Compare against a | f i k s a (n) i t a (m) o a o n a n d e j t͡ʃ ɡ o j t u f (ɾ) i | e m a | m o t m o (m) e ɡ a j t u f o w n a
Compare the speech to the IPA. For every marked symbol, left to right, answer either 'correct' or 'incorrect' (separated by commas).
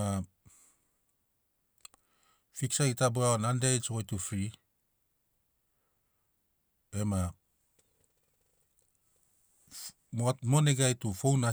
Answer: incorrect, incorrect, correct, incorrect